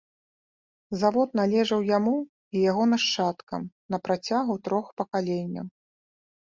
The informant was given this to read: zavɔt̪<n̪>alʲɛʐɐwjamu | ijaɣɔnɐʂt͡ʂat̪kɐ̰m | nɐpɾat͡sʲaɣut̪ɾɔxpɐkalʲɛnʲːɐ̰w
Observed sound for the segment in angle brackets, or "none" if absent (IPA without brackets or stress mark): n̪